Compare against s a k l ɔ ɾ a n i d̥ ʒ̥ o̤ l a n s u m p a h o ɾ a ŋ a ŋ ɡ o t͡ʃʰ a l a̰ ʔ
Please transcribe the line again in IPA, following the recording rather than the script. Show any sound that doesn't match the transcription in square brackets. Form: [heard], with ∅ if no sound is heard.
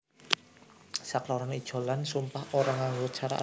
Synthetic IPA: s a k l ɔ ɾ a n i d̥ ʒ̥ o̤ l a n s u m p a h o ɾ a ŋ a ŋ ɡ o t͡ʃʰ a [ɾ] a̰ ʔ